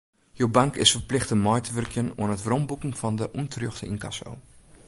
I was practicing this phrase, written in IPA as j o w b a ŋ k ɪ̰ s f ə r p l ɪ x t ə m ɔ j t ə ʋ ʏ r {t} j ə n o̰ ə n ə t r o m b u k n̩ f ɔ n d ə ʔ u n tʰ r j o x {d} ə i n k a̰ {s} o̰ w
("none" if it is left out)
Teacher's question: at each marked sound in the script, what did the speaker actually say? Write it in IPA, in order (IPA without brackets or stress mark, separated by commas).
k, t, s